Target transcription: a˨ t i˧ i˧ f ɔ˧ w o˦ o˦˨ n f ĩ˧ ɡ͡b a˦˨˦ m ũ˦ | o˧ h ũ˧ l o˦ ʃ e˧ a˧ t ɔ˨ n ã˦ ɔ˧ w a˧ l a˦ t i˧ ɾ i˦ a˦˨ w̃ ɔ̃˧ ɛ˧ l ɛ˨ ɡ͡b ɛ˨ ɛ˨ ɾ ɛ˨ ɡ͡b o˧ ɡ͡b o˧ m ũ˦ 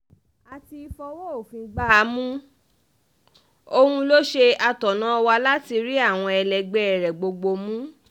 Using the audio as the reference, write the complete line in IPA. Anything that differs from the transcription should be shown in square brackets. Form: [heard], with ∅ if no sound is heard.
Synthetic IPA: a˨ t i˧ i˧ f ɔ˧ w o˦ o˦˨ [∅] f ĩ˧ ɡ͡b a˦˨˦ m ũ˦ | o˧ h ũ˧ l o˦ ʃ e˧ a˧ t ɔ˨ n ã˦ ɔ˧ w a˧ l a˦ t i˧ ɾ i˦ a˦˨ w̃ ɔ̃˧ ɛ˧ l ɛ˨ ɡ͡b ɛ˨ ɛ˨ ɾ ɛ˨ ɡ͡b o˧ ɡ͡b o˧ m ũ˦